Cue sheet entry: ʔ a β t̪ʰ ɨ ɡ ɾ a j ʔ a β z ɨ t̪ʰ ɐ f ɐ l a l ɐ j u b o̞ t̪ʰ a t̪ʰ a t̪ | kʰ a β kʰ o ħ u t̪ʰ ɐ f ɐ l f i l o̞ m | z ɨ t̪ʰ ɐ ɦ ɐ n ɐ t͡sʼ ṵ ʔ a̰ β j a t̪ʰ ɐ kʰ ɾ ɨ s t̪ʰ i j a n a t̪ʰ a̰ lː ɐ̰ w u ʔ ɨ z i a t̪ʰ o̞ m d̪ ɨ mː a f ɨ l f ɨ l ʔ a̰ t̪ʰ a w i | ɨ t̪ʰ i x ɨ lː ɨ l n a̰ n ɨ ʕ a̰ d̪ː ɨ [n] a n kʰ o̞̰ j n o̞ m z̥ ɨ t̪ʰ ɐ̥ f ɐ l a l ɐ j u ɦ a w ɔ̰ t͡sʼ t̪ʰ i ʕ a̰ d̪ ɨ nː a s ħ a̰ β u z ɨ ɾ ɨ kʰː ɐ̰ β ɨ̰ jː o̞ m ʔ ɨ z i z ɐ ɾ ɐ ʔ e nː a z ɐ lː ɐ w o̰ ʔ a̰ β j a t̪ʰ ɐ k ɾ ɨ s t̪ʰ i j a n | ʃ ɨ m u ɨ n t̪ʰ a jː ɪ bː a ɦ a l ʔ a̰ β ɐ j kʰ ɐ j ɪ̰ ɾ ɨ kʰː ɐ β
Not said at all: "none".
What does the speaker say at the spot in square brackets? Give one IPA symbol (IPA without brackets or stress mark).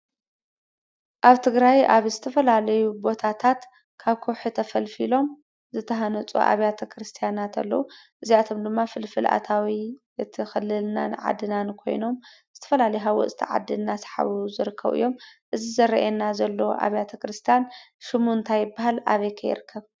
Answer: n